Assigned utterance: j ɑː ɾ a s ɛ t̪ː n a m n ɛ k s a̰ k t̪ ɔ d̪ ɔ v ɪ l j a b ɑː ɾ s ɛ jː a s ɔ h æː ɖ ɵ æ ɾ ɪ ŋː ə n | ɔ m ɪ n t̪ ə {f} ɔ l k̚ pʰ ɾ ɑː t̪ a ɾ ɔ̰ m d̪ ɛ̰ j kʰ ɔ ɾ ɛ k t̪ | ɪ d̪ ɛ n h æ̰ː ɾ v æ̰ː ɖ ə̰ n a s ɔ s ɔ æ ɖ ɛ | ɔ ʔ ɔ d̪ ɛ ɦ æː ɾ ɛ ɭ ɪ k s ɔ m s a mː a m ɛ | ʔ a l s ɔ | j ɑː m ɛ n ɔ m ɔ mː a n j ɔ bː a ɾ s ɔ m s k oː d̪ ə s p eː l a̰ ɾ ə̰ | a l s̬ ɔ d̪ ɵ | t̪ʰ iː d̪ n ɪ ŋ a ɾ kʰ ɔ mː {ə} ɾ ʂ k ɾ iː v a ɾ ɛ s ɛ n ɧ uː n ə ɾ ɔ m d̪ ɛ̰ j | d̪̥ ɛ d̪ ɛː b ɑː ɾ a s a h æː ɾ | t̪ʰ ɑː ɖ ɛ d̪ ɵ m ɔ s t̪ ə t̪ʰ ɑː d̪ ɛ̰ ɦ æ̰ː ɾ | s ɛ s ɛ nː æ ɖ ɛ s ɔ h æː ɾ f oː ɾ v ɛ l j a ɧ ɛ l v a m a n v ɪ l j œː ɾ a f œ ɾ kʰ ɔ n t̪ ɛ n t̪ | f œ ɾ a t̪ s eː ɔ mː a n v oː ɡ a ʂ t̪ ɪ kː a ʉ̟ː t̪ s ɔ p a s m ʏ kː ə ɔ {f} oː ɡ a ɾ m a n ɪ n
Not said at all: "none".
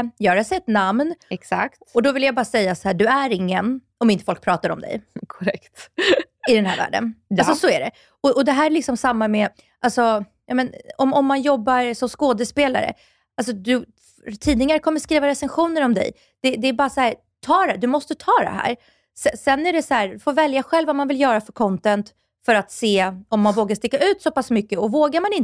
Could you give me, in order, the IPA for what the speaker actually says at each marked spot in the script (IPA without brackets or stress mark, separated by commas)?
f, ə, v